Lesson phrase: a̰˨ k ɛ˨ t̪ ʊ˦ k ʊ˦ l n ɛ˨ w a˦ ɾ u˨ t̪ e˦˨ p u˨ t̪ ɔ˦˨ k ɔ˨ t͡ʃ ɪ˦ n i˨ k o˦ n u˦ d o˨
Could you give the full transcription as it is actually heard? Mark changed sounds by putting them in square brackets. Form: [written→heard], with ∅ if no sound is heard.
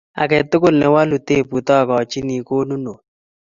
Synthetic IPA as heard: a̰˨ k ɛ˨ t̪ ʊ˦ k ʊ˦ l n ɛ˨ w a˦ [ɾ→l] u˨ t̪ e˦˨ p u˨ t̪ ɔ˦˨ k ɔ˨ t͡ʃ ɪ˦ n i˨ k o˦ n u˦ [d→n] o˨